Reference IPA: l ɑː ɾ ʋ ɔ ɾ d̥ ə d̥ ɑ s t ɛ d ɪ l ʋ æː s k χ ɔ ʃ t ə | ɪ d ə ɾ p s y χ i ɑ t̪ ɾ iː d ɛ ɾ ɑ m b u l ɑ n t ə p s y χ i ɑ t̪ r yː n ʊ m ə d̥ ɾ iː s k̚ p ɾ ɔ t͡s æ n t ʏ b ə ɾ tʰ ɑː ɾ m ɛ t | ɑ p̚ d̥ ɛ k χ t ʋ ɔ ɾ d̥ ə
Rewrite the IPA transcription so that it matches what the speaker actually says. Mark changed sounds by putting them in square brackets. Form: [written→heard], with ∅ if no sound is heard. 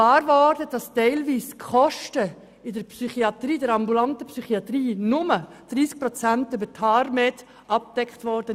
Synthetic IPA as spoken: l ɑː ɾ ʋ ɔ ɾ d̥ ə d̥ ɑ s t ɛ [d→∅] ɪ l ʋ [æː→iː] s k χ ɔ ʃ t ə | ɪ d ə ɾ p s y χ i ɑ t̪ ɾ iː d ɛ ɾ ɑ m b u l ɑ n t ə p s y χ i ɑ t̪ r [yː→iː] n ʊ m ə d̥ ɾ iː s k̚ p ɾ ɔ t͡s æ n t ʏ b ə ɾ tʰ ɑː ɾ m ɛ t | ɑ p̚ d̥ ɛ k χ t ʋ ɔ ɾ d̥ ə

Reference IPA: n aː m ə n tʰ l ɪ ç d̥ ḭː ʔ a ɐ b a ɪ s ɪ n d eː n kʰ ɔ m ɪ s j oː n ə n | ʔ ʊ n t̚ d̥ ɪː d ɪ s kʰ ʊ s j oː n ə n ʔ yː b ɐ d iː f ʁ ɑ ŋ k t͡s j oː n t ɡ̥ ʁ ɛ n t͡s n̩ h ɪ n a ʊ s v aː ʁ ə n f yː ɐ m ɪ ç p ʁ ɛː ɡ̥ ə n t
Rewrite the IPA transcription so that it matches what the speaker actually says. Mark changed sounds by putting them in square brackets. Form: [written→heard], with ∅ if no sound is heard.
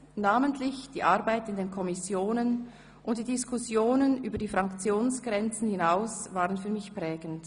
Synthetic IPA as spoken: n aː m ə n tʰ l ɪ ç d̥ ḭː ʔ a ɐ b a ɪ [s→t] ɪ n d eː n kʰ ɔ m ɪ s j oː n ə n | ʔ ʊ n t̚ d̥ [ɪː→iː] d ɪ s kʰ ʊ s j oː n ə n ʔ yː b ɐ d iː f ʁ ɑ ŋ k t͡s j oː n [t→s] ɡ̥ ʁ ɛ n t͡s n̩ h ɪ n a ʊ s v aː ʁ ə n f yː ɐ m ɪ ç p ʁ ɛː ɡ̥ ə n t

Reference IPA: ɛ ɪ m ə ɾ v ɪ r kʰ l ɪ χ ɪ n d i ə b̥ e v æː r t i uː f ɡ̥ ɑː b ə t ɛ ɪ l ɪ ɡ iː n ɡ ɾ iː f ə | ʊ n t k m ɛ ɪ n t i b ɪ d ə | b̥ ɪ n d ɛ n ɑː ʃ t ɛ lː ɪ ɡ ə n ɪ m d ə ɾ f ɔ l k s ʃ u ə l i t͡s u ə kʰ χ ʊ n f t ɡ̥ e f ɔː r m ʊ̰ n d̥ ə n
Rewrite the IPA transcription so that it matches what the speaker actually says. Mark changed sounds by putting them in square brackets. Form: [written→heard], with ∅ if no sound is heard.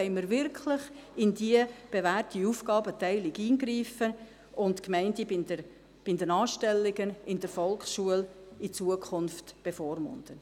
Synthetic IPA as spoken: ɛ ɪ m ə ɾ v ɪ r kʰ l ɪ χ ɪ n d i ə b̥ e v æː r t i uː f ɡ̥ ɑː b ə t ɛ ɪ l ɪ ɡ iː n ɡ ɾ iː f ə | ʊ n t k m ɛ ɪ n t i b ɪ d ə | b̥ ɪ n d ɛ n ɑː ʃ t ɛ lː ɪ ɡ ə n ɪ [m→n] d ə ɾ f ɔ l k s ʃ u ə l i t͡s u ə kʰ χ ʊ n f t [ɡ̥→b̥] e f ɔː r m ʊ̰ n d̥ ə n

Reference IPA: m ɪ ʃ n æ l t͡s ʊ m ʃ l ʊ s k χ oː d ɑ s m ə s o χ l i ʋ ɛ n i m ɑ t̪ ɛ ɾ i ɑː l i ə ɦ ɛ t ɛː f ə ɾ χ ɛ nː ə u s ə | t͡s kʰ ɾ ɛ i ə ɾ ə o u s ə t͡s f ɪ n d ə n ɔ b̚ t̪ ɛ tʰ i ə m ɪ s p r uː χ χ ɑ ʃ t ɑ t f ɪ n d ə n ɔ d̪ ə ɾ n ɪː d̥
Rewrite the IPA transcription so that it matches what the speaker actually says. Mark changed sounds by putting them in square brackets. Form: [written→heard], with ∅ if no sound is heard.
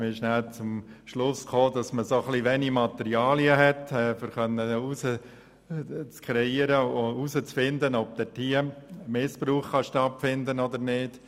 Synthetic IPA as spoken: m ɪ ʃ n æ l t͡s ʊ m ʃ l ʊ s k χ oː d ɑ s m ə s o χ l i ʋ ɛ n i m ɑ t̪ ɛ ɾ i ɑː l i ə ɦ ɛ t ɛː f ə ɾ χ [ɛ→œ] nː ə u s ə | t͡s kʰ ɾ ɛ i ə ɾ ə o u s ə t͡s f ɪ n d ə n ɔ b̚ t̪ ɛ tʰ i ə m ɪ s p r uː χ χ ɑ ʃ t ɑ t f ɪ n d ə n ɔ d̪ ə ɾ n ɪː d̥

